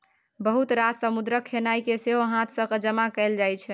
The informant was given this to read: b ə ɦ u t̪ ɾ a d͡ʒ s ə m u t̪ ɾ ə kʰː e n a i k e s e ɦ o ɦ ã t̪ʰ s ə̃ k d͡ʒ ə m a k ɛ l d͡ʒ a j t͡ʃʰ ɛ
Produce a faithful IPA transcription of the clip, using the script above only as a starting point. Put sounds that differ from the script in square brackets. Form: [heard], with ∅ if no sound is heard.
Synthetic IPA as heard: b ə ɦ u t̪ ɾ a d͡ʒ s ə m u [d̪] ɾ ə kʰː e n a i k e s e ɦ o ɦ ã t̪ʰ s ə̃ k d͡ʒ ə m a k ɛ l d͡ʒ a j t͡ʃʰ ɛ

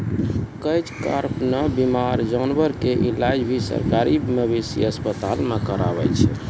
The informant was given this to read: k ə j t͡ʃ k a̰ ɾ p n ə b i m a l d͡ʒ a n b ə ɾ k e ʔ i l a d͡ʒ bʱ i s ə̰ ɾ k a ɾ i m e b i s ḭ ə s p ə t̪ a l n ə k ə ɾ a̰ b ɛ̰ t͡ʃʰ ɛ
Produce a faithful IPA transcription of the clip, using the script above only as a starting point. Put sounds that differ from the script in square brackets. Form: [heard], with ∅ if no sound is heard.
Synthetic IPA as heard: k ə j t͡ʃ k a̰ ɾ p n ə b i m a [ɾ] d͡ʒ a n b ə ɾ k e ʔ i l a d͡ʒ bʱ i s ə̰ ɾ k a ɾ i m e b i s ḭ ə s p ə t̪ a l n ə k ə ɾ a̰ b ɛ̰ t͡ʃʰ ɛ

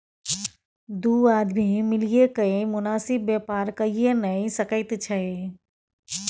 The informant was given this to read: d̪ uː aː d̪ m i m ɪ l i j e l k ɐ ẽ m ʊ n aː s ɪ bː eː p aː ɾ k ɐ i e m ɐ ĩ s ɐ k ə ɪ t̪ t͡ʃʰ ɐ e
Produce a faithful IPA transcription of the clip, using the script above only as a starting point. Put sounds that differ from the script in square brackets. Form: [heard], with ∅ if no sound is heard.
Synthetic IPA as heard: d̪ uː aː d̪ m i m ɪ l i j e [∅] k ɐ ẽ m ʊ n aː s ɪ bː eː p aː ɾ k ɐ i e [n] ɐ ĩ s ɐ k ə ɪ t̪ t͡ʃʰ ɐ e

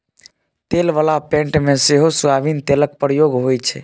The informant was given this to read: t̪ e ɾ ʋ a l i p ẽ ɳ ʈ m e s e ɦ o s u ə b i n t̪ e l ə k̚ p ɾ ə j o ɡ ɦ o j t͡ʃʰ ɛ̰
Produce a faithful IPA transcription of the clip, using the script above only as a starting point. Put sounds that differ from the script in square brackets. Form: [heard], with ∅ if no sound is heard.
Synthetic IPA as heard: t̪ e [l] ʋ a l [a] p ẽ ɳ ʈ m e s e ɦ o s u [a] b i n t̪ e l ə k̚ p ɾ ə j o ɡ ɦ o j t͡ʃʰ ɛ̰

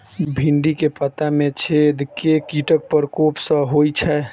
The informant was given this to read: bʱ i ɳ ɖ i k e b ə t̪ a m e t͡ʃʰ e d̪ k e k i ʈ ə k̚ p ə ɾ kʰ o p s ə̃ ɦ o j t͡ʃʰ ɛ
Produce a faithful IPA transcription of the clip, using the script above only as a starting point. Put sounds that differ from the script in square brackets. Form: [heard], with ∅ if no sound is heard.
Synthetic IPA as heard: bʱ i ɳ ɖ i k e [p] ə t̪ a m e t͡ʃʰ e d̪ k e k i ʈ ə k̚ p ə ɾ [k] o p s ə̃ ɦ o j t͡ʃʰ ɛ

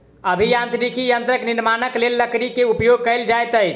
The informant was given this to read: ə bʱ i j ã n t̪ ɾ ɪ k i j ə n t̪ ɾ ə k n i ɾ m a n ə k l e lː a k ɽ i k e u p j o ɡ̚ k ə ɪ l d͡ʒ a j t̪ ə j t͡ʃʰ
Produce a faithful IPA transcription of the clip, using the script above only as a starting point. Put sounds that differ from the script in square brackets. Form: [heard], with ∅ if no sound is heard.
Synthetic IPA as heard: ə bʱ i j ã n t̪ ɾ [i] k i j ə n t̪ ɾ ə k n i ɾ m a n ə k l e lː [ə] k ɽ i k e u p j o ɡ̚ k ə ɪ l d͡ʒ a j t̪ ə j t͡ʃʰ

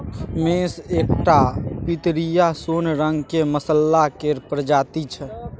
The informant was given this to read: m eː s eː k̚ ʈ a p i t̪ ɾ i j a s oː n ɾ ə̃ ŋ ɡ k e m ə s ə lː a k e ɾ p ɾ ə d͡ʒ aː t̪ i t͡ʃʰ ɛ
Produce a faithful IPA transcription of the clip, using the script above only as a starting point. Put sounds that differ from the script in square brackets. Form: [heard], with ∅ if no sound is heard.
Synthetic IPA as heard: m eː s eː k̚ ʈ a p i t̪ ɾ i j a s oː n ɾ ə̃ ŋ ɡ k e m ə s ə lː a k e ɾ p ɾ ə d͡ʒ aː t̪ i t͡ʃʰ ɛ

